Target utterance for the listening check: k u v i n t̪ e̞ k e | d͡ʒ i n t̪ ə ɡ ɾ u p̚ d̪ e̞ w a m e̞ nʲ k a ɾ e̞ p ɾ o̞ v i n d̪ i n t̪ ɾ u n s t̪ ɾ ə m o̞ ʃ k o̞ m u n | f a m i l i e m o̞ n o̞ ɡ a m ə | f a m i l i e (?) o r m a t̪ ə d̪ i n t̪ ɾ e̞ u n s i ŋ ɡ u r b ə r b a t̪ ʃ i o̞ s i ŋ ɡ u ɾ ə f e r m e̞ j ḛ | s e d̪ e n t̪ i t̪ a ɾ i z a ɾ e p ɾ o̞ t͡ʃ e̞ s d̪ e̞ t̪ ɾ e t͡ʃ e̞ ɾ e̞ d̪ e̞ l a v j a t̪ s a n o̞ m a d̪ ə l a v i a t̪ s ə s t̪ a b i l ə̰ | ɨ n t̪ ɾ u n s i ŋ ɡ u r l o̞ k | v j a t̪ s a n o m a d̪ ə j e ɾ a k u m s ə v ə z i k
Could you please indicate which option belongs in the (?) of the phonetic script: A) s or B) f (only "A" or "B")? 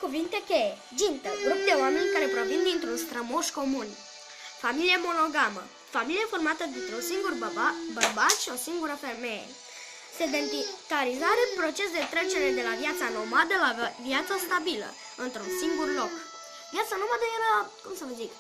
B